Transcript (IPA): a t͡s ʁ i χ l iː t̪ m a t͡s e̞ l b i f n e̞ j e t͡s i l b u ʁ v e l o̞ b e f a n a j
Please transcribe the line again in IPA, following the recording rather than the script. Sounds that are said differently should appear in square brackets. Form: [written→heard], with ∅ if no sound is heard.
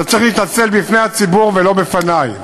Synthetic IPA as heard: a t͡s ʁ i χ l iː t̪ [m→n] a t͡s e̞ l b i f n e̞ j [e→a] t͡s i [l→∅] b u ʁ v e l o̞ b e f a n a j